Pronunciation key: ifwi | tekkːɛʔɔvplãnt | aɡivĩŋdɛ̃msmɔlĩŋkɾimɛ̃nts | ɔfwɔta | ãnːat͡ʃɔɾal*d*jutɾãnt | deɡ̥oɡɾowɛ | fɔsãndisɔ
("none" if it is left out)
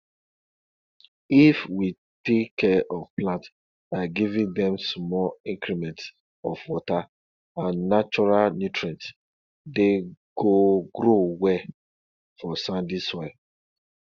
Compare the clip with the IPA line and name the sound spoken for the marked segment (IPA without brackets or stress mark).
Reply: n